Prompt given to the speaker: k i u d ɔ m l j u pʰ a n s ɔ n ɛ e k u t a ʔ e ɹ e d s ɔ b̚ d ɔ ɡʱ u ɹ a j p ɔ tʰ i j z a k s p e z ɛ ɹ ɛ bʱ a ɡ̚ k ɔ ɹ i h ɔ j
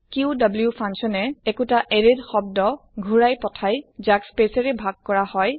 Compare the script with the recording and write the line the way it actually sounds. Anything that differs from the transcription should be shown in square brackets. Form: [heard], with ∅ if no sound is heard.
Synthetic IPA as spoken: k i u d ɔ [b] l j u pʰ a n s ɔ n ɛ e k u t a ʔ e ɹ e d [x] ɔ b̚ d ɔ ɡʱ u ɹ a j p ɔ tʰ [a] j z a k s p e [s] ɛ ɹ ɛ bʱ a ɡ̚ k ɔ ɹ [a] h ɔ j

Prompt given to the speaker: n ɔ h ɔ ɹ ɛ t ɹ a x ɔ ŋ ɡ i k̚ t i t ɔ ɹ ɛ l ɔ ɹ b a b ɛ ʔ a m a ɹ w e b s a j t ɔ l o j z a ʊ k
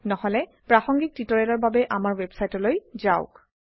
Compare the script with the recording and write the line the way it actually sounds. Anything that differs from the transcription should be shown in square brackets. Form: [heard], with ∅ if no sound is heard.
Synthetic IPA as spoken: n ɔ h ɔ [l] ɛ [p] ɹ a x ɔ ŋ ɡ i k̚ t i t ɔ ɹ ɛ l ɔ ɹ b a b ɛ ʔ a m a ɹ w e b s a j t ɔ l o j z a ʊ k

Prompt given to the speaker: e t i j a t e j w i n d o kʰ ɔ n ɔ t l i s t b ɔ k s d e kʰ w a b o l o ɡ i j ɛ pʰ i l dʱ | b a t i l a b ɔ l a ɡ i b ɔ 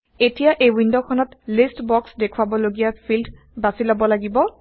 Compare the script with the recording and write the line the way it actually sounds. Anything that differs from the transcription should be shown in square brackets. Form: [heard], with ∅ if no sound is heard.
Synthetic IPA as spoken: e t i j a [ʔ] e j w i n d o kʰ ɔ n ɔ t l i s t b ɔ k s d e kʰ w a b [ɔ] l o ɡ i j [a] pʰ i l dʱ | b a [s] i l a b ɔ l a ɡ i b ɔ

